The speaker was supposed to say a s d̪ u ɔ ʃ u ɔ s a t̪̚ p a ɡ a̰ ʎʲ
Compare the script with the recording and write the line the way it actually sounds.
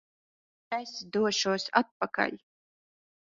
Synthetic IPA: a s d̪ u ɔ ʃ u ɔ s a t̪̚ p a k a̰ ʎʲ